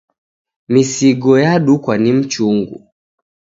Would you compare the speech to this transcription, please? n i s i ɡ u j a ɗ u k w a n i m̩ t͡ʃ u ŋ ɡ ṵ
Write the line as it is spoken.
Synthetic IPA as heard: m i s i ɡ ɔ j a ɗ u k w a n i m̩ t͡ʃ u ŋ ɡ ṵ